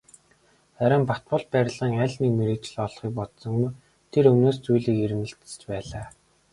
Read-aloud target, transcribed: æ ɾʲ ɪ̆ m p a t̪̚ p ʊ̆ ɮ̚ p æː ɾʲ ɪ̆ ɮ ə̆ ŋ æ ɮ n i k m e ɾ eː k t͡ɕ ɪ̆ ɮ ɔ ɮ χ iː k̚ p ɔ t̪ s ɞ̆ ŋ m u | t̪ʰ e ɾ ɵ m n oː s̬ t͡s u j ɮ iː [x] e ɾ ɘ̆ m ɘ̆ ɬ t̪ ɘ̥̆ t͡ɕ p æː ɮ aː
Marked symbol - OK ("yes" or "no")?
no